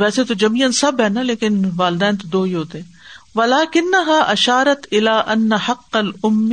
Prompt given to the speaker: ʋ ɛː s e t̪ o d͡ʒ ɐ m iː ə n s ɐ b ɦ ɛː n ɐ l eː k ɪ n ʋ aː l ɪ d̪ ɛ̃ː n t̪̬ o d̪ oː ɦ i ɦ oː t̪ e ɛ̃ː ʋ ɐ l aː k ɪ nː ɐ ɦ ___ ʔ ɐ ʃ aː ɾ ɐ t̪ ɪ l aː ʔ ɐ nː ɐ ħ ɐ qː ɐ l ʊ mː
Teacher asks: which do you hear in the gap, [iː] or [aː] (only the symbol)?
aː